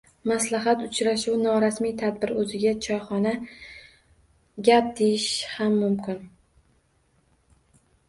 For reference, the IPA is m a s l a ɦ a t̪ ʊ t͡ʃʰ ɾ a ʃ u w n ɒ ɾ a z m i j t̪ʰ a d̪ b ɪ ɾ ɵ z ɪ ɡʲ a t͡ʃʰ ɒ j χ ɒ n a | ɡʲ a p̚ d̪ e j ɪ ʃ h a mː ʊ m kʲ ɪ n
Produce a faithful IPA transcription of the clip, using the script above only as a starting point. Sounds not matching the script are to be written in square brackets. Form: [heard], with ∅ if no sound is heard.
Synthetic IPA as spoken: m a s l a ɦ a t̪ ʊ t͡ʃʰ ɾ a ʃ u w n ɒ ɾ a [s] m i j t̪ʰ a d̪ b ɪ ɾ ɵ z ɪ ɡʲ a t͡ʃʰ ɒ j χ ɒ n a | ɡʲ a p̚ d̪ e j ɪ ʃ h a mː ʊ m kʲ ɪ n